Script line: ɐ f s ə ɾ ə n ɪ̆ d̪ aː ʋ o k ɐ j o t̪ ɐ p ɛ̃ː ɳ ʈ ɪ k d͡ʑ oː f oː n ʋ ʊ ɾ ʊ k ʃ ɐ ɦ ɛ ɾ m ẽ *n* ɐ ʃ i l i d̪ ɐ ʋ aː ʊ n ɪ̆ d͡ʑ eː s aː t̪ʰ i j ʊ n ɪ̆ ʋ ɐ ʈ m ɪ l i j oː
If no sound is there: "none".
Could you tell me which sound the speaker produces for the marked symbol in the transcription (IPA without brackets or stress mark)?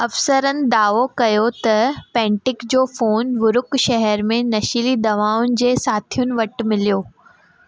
n